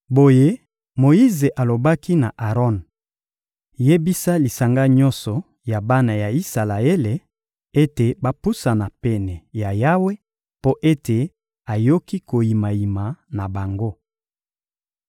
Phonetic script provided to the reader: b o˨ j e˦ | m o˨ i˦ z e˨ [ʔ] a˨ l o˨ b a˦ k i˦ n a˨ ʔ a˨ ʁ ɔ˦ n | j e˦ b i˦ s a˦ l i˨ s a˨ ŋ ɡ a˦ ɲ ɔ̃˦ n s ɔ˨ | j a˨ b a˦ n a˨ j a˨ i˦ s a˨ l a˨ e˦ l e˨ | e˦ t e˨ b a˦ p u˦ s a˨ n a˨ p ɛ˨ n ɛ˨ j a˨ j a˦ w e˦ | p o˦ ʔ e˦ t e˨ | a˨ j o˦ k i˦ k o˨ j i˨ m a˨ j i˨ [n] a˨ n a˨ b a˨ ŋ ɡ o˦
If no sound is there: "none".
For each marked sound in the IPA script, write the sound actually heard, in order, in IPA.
ʔ, m

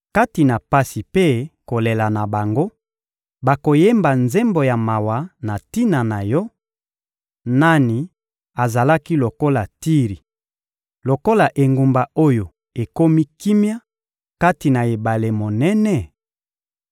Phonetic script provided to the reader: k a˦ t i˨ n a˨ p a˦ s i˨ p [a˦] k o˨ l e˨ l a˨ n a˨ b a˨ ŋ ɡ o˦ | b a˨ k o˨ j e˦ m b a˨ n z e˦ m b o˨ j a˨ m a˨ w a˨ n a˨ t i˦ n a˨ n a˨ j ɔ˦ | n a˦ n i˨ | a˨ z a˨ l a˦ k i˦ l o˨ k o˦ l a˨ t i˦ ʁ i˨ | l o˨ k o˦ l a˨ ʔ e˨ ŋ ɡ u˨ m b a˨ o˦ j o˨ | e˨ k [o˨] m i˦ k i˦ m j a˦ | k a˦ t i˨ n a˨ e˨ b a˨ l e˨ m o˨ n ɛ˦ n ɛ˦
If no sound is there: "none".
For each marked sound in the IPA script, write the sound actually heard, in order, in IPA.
e˦, o˦

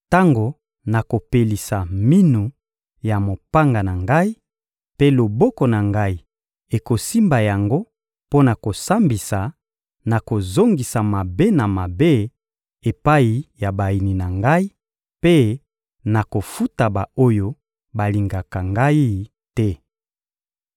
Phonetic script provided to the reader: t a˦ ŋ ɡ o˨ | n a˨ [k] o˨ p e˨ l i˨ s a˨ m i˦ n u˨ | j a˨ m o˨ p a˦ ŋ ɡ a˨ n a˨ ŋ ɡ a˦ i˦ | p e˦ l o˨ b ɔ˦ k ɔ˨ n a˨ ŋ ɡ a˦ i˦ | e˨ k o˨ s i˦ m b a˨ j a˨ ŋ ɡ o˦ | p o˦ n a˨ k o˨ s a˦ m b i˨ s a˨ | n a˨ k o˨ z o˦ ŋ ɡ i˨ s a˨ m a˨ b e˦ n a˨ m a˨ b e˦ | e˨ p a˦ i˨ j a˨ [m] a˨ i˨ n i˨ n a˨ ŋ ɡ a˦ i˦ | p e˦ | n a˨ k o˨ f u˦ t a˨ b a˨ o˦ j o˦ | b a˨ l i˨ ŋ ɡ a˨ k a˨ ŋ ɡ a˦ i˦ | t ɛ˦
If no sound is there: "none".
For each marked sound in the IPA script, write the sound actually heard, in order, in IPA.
k, b

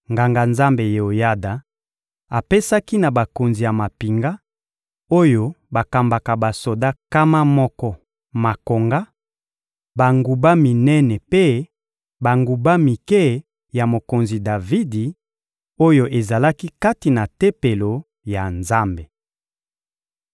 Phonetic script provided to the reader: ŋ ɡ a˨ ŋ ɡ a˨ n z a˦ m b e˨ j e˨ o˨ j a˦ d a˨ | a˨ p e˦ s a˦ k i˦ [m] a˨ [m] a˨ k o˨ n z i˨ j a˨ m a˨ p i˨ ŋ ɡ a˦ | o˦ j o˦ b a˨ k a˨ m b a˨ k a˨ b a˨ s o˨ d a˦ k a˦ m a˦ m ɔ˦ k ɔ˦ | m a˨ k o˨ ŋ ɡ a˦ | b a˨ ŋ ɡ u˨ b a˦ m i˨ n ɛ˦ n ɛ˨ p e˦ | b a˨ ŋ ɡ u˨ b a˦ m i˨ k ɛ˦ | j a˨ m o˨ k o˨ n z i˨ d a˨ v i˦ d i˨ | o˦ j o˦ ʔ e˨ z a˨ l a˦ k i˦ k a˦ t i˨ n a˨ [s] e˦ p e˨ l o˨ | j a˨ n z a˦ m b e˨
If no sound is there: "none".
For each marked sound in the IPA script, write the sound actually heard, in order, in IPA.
n, b, t

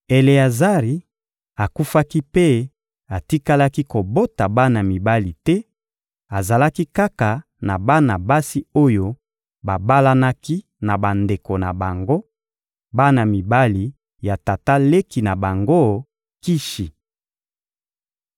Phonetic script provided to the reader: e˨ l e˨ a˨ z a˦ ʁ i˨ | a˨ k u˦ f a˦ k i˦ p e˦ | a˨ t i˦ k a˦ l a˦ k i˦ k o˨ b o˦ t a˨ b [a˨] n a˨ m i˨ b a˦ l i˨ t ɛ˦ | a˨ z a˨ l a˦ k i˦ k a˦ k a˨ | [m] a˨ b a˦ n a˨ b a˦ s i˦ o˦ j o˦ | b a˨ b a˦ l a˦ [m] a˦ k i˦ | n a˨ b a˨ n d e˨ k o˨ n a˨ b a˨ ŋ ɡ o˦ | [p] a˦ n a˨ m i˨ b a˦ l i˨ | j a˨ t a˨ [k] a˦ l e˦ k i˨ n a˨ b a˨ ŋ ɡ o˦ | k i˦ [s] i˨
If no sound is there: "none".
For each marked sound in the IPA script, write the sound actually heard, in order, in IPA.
a˦, n, n, b, t, ʃ

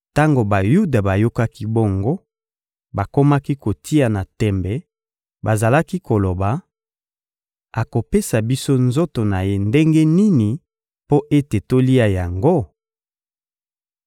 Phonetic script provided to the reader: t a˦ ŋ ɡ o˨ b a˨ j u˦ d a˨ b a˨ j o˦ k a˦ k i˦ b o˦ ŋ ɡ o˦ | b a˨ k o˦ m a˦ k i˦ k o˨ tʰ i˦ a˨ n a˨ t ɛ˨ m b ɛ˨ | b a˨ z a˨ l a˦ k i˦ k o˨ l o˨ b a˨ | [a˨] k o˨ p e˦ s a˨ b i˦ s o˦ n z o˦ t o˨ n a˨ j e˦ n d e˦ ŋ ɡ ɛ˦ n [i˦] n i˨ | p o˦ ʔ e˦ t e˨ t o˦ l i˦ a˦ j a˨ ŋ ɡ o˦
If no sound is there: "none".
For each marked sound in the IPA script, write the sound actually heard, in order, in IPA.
a˨, i˦

